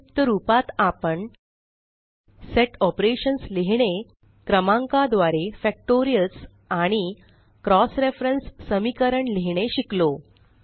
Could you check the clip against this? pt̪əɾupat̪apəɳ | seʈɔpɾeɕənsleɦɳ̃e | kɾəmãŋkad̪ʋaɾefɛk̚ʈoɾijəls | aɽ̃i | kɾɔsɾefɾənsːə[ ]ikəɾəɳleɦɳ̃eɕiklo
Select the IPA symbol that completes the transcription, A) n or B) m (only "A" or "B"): B